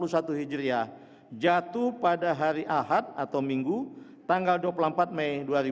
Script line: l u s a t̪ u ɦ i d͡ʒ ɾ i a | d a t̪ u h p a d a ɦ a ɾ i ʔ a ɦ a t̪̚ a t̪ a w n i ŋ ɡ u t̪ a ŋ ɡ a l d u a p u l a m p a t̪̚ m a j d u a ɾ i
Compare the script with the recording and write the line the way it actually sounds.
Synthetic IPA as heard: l u s a t̪ u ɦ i d͡ʒ ɾ i a | d͡ʒ a t̪ u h p a d a ɦ a ɾ i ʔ a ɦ a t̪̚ a t̪ a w m i ŋ ɡ u t̪ a ŋ ɡ a l d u a p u l a m p a t̪̚ m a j d u a ɾ i